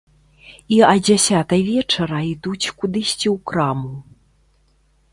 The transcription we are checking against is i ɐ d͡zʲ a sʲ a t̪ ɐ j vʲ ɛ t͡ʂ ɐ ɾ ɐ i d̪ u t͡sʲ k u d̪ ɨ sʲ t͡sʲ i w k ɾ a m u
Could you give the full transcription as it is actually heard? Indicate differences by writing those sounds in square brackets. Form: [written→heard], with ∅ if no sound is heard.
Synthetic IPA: i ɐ d͡zʲ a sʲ a t̪ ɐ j vʲ ɛ t͡ʂ ɐ ɾ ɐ i d̪ u t͡sʲ k u d̪ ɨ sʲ t͡sʲ i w k ɾ a m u